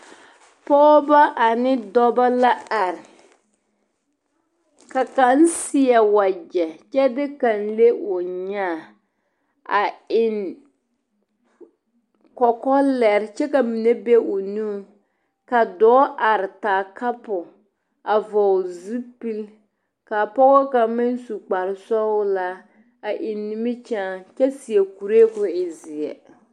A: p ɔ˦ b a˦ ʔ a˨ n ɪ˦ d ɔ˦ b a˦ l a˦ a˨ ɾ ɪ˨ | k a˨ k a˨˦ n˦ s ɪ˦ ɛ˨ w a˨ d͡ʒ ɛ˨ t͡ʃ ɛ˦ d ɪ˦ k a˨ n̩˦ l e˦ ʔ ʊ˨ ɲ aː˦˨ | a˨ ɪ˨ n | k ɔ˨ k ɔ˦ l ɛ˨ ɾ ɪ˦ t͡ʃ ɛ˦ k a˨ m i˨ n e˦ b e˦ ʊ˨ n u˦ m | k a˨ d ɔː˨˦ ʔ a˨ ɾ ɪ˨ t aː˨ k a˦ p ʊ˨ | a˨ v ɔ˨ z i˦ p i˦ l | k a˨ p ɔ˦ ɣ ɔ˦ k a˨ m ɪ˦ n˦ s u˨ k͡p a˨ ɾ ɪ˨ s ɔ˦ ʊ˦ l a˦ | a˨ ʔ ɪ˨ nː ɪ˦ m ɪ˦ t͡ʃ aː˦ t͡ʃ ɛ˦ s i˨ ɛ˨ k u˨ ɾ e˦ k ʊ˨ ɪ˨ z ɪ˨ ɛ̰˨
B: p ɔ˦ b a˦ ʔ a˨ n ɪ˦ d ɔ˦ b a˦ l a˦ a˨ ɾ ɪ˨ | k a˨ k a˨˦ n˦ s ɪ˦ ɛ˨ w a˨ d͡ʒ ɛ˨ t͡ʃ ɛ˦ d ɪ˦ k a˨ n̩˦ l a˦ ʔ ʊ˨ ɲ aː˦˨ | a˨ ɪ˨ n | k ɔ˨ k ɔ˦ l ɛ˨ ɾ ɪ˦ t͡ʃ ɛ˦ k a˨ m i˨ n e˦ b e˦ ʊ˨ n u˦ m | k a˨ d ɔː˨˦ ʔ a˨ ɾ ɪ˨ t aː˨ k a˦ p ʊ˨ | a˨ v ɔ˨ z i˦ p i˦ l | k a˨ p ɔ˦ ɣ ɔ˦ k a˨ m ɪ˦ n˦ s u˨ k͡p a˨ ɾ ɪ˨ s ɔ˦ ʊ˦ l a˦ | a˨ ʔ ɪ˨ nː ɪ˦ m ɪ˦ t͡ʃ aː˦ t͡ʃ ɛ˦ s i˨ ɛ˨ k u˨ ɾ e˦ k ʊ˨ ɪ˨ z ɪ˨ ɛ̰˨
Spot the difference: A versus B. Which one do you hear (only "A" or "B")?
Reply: A